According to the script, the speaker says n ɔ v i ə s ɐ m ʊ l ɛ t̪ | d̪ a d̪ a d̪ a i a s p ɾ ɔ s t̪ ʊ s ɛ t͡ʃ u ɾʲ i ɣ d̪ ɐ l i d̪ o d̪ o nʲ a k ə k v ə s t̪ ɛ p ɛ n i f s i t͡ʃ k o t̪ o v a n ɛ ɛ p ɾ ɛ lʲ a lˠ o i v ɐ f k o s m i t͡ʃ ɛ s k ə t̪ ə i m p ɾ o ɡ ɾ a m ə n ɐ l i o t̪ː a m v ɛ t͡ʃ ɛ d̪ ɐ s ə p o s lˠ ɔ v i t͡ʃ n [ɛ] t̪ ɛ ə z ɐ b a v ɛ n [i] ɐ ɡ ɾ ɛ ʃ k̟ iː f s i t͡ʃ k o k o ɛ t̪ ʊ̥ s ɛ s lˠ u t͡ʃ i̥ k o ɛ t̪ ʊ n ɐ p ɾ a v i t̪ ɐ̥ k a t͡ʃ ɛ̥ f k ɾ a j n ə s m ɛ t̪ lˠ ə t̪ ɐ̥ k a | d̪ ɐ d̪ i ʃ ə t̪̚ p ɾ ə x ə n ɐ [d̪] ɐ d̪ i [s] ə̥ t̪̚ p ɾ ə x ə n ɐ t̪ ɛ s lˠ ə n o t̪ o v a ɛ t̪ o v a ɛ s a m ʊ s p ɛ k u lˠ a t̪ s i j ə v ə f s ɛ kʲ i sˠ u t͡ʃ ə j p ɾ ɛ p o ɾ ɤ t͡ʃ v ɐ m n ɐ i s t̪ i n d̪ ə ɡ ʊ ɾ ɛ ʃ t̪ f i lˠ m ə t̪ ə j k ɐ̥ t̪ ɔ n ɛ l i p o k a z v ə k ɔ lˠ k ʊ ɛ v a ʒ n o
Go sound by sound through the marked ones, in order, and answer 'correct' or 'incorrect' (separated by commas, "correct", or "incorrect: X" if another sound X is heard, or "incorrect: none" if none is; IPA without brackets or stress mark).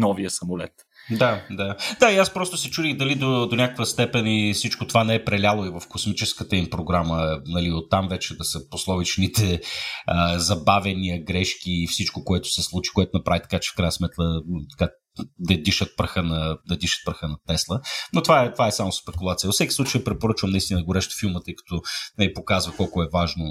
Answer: incorrect: i, correct, correct, incorrect: ʃ